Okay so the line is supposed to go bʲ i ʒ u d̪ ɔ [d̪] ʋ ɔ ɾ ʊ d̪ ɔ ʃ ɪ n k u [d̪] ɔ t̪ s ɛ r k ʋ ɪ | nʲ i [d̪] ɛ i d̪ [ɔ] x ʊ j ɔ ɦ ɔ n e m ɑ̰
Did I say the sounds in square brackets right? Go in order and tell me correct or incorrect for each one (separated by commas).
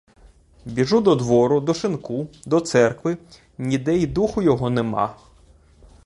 correct, correct, correct, incorrect